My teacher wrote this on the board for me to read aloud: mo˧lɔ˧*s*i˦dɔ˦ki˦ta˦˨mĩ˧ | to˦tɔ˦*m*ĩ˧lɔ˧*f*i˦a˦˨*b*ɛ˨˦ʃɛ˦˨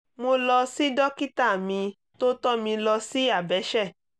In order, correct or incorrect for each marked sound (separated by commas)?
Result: correct, correct, incorrect, correct